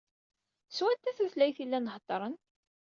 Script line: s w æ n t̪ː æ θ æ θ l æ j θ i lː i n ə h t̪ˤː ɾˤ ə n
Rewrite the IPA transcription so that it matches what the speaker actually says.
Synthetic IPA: s w æ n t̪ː æ θ æ θ l æ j θ i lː æ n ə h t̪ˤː ɾˤ ə n